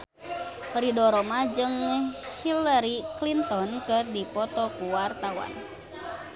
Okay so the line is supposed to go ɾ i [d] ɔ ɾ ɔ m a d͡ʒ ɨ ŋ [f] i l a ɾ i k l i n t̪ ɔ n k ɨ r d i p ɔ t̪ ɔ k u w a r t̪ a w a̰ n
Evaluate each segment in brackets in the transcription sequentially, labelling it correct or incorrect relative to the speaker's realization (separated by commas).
correct, incorrect